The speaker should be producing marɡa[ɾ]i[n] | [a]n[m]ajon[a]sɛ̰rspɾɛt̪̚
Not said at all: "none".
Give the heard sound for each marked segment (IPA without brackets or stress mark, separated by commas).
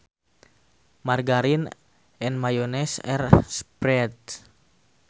ɾ, n, ɛ, m, ɛ